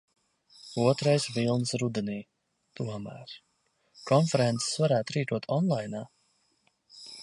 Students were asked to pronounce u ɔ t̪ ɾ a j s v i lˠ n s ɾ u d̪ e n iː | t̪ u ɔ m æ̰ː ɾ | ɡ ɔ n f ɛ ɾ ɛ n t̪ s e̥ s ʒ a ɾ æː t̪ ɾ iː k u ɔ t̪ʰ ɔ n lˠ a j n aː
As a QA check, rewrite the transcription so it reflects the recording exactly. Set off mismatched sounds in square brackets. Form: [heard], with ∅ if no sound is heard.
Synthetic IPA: u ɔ t̪ ɾ a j s v i lˠ n s ɾ u d̪ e n iː | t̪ u ɔ m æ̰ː ɾ | [k] ɔ n f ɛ ɾ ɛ n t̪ s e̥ s [v] a ɾ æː t̪ ɾ iː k u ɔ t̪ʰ ɔ n lˠ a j n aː